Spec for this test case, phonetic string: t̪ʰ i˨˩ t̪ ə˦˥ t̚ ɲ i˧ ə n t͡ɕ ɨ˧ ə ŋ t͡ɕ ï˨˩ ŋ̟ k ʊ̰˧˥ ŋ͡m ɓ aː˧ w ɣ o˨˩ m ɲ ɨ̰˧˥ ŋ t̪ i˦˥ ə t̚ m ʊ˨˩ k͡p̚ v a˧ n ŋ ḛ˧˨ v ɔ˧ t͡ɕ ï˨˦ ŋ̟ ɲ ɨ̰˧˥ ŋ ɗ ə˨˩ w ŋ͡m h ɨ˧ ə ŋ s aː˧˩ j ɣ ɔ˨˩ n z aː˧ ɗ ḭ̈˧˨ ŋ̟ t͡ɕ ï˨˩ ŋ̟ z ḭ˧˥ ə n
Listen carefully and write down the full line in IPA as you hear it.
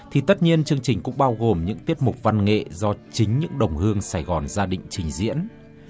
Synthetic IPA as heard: t̪ʰ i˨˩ t̪ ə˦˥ t̚ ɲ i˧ ə n t͡ɕ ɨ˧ ə ŋ t͡ɕ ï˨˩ ŋ̟ k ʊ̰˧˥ ŋ͡m ɓ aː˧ w ɣ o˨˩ m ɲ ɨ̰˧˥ ŋ t̪ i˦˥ ə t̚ m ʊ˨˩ k͡p̚ v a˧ n ŋ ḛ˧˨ z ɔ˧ t͡ɕ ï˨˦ ŋ̟ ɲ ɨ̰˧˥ ŋ ɗ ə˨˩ w ŋ͡m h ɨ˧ ə ŋ s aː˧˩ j ɣ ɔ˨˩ n z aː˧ ɗ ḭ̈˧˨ ŋ̟ t͡ɕ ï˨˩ ŋ̟ z ḭ˧˥ ə n